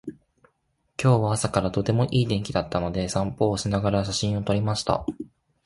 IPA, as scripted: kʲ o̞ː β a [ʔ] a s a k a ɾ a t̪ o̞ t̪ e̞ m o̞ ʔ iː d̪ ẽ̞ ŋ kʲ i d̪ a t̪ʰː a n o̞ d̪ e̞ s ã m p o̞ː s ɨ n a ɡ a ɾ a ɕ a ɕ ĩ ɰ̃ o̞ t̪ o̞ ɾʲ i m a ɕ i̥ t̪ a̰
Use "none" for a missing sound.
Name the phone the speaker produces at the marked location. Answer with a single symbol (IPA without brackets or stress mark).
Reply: none